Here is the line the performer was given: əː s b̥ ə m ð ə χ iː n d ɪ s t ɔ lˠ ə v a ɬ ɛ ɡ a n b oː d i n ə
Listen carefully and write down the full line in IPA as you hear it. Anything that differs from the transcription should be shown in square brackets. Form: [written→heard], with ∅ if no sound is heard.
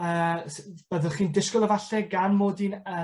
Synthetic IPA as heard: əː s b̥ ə [m→∅] ð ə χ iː n d ɪ s [t→k] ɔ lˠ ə v a ɬ ɛ ɡ a n [b→m] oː d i n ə